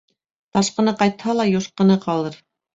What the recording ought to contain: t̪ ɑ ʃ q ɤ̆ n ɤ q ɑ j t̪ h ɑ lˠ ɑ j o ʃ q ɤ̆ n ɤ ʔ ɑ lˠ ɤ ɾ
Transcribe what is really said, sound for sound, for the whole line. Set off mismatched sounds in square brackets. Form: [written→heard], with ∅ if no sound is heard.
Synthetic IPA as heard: t̪ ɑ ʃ q ɤ̆ n ɤ q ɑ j t̪ h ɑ lˠ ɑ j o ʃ q ɤ̆ n ɤ [ʔ→q] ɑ lˠ ɤ ɾ